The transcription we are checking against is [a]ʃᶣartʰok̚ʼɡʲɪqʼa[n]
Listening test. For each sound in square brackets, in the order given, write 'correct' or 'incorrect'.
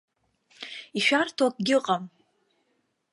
incorrect: i, incorrect: m

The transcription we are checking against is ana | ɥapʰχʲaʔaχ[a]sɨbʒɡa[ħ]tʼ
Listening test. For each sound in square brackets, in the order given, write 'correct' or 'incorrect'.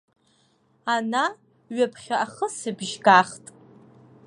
incorrect: ə, incorrect: χ

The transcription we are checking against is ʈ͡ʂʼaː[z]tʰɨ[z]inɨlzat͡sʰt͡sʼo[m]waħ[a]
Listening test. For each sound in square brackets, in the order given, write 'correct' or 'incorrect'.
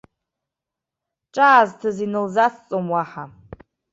correct, correct, correct, correct

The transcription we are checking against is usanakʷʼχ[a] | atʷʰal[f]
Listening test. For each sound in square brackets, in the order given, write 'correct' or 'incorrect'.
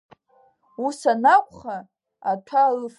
correct, correct

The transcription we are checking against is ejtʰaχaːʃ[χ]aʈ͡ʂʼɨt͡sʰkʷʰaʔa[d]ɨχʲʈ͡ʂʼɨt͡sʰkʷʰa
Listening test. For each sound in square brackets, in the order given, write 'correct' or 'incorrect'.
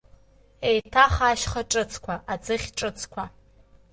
correct, incorrect: d͡z

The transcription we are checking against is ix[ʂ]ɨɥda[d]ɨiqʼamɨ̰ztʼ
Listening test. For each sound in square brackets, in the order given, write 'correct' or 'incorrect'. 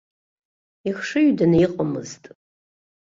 correct, incorrect: n

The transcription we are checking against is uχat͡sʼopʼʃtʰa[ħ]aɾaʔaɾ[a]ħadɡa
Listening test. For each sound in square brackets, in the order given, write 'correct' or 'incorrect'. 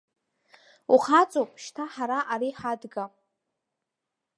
correct, incorrect: i

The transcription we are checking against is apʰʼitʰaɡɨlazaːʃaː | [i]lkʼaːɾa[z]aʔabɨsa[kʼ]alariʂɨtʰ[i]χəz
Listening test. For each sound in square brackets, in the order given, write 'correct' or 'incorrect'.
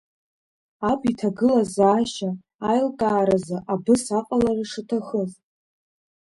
incorrect: j, correct, incorrect: qʼ, incorrect: a

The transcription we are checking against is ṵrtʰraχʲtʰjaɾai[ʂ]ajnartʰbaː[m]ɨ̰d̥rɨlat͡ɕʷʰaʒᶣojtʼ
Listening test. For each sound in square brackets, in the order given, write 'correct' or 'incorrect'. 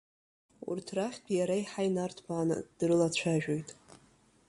incorrect: ħ, incorrect: n

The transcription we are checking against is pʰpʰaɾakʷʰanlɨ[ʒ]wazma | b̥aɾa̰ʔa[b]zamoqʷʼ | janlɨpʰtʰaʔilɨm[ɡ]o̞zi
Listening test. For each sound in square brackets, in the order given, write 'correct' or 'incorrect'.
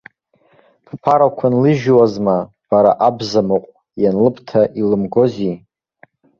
correct, correct, correct

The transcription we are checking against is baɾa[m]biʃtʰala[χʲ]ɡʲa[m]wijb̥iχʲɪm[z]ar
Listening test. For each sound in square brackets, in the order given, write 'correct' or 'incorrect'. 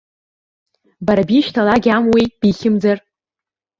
incorrect: none, incorrect: none, correct, incorrect: d͡z

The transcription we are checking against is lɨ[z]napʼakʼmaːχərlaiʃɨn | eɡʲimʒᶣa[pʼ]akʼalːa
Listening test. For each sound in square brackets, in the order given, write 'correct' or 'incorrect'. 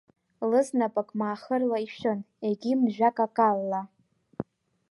correct, incorrect: kʼ

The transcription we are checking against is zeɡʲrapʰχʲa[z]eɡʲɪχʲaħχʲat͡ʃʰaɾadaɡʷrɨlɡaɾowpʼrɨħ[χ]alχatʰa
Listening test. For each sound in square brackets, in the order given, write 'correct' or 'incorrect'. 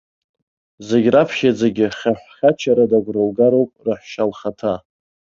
incorrect: d͡z, incorrect: ʃ

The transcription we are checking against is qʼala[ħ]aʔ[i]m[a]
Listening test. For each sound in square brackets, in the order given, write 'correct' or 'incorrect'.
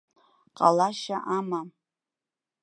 incorrect: ʃ, incorrect: a, correct

